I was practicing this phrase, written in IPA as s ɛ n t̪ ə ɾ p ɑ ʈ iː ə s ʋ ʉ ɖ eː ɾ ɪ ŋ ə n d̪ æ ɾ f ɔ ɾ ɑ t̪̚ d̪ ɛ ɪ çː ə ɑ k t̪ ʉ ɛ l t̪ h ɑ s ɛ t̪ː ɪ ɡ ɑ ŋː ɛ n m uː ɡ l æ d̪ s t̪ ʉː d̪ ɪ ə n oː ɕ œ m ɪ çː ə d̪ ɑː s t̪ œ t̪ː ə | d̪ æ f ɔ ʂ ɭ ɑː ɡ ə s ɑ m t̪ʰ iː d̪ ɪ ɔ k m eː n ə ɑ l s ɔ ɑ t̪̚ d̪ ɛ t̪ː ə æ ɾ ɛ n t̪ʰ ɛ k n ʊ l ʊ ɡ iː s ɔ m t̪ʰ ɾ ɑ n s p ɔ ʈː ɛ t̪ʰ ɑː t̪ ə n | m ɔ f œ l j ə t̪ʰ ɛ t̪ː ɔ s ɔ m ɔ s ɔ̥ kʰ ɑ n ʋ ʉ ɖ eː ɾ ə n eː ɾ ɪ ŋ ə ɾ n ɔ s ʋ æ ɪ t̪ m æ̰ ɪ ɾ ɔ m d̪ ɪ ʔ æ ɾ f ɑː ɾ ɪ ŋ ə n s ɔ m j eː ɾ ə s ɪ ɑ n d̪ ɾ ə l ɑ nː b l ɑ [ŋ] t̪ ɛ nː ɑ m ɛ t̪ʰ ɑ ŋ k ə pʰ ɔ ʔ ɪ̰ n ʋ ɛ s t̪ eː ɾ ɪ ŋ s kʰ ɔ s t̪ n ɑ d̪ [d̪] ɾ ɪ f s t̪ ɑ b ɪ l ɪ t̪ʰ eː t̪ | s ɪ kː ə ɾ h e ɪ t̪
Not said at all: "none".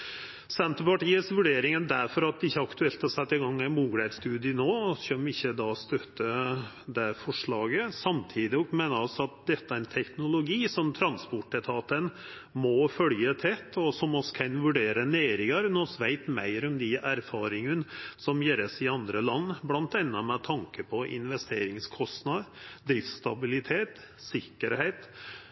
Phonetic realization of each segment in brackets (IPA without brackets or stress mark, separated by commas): n, d̪